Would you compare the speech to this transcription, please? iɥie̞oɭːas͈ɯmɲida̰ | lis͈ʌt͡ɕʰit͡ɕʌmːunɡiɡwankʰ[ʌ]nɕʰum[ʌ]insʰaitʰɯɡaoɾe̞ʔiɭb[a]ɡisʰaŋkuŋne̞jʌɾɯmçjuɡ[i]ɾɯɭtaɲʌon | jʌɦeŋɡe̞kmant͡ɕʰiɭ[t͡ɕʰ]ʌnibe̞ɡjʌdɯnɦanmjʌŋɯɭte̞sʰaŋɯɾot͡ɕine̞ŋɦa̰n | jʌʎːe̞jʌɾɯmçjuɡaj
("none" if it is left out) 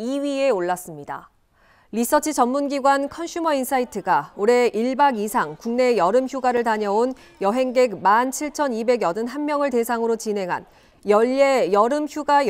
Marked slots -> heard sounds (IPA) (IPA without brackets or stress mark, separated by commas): ʌ, ʌ, a, a, t͡ɕʰ